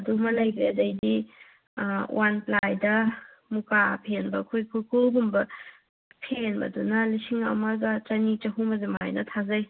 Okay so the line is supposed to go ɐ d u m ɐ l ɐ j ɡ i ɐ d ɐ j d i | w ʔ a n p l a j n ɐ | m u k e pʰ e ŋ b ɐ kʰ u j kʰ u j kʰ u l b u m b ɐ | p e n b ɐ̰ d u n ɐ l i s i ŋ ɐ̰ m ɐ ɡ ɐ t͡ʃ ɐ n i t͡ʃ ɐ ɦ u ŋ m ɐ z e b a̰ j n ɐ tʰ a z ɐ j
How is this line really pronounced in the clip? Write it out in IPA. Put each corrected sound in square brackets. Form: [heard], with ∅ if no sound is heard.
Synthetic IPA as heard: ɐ d u m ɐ l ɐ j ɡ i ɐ d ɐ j d i | w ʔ a n p l a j [d] ɐ | m u k [a] pʰ e [n] b ɐ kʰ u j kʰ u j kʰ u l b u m b ɐ | [pʰ] e n b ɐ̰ d u n ɐ l i s i ŋ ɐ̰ m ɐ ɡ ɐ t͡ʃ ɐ n i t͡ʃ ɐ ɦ u [∅] m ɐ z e [m] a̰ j n ɐ tʰ a z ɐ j